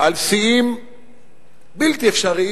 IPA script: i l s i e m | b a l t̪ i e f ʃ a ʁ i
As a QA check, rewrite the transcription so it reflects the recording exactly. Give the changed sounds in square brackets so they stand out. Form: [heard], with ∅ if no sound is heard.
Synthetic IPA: [a] l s i [i] m | b [i] l t̪ i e f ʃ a ʁ i